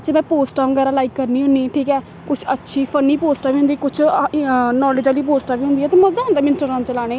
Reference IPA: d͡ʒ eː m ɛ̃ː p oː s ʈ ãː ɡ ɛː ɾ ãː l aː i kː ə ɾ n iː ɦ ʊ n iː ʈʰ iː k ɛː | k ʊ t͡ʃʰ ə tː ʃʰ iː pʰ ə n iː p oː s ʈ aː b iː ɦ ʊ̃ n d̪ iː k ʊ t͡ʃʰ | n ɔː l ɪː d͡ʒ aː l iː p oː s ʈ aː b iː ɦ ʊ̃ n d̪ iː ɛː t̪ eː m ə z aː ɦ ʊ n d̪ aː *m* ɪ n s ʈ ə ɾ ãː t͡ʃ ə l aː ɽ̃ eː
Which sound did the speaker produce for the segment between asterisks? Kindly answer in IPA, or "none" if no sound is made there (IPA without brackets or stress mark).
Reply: m